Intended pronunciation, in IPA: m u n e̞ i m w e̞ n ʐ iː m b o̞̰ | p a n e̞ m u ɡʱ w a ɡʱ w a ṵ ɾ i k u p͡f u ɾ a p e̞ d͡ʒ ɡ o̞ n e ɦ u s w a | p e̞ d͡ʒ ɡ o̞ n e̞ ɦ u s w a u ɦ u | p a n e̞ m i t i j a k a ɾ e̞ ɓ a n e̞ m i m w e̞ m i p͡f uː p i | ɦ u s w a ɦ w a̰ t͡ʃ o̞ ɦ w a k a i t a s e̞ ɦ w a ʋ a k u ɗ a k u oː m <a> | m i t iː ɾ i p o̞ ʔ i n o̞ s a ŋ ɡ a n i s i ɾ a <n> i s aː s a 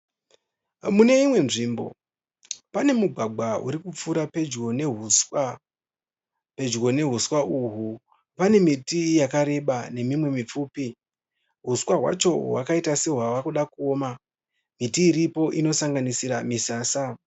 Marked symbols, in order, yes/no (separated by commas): yes, no